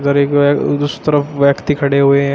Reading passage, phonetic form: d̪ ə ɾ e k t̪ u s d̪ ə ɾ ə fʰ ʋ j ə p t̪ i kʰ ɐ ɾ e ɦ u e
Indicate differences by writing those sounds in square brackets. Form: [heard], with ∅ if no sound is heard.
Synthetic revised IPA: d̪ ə ɾ e k [d̪] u s [t̪] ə ɾ ə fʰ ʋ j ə [k] t̪ i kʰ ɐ [ɽ] e ɦ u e